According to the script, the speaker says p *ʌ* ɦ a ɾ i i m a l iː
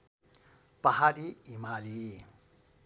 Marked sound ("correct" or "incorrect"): incorrect